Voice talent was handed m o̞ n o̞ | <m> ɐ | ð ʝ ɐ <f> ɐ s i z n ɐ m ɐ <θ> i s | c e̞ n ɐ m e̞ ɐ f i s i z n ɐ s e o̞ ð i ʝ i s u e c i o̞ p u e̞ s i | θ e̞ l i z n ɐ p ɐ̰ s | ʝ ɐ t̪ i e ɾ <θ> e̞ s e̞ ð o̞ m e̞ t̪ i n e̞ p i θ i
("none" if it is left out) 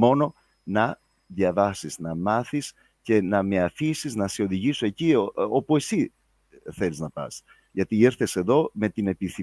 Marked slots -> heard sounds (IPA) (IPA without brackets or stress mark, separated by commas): n, v, θ, θ